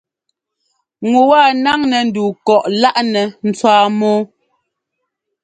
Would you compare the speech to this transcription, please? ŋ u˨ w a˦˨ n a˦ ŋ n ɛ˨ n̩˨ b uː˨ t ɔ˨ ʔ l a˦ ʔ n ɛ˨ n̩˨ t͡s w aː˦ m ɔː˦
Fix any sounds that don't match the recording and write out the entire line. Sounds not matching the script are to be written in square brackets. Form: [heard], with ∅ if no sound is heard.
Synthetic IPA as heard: ŋ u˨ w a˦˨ n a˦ ŋ n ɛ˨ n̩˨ [d] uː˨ [k] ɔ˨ ʔ l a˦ ʔ n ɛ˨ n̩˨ t͡s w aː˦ m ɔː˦